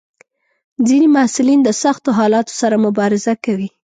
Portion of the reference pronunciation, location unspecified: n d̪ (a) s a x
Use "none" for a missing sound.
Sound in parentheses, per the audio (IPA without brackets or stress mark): ə